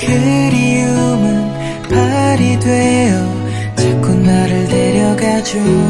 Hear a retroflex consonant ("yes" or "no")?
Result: yes